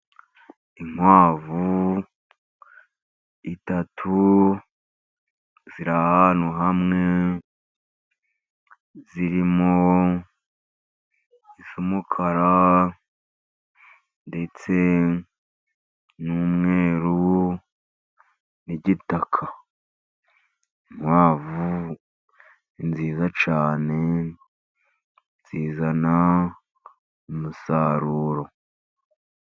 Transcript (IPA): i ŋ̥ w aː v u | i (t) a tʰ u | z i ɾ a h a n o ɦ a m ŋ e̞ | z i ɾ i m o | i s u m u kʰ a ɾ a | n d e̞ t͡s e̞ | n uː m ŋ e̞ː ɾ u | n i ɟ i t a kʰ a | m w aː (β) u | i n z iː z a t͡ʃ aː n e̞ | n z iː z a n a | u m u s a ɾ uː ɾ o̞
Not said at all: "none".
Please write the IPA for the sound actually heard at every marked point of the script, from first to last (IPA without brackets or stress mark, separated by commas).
t, v